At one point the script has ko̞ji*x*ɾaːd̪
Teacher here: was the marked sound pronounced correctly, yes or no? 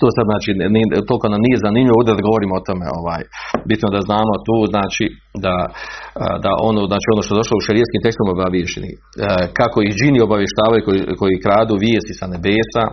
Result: no